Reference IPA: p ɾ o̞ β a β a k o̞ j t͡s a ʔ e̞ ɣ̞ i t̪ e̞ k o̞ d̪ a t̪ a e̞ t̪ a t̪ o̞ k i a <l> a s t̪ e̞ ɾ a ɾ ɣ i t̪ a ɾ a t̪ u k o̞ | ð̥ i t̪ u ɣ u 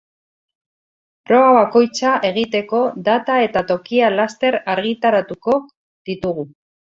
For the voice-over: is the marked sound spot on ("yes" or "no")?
yes